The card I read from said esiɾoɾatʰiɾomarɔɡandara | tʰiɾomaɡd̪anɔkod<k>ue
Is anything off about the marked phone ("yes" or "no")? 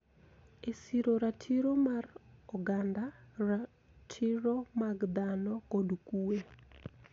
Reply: no